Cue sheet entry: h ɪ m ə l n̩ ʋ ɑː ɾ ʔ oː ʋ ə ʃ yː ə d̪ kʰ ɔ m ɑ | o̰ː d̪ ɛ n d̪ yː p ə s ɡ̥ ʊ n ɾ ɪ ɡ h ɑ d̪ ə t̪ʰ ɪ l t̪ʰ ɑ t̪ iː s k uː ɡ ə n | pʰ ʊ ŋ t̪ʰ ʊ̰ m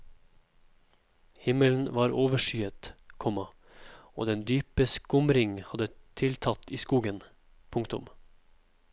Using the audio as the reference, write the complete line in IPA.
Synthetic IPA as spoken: h ɪ m ə l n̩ ʋ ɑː ɾ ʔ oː ʋ ə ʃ yː ə t̪ kʰ ɔ m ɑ | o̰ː d̪ ɛ n d̪ yː p ə s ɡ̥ ʊ m ɾ ɪ ŋ h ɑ d̪ ə t̪ʰ ɪ l t̪ʰ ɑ t̪ iː s k uː ɡ ə n | pʰ ʊ ŋ t̪ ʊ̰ m

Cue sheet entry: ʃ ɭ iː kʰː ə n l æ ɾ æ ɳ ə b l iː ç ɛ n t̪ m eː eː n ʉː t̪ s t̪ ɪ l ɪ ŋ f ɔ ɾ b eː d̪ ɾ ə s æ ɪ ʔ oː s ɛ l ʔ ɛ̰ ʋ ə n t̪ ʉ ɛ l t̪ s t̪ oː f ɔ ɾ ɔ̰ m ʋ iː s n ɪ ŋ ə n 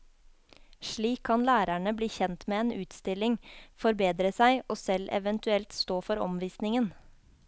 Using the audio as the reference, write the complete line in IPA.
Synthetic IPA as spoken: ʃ ɭ iː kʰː ɑ n l æː ɾ æ ɳ ə b l iː ç ɛ n t̪ m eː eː n ʉː t̪ s t̪ ɪ l ɪ ŋ f ɔ ɾ b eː d̪ ɾ ə s æ ɪ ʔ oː s ɛ l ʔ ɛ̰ ʋ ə n t̪ ʉ ɛ l t̪ s t̪ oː f ɔ ɾ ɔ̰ m ʋ iː s n ɪ ŋ ə n

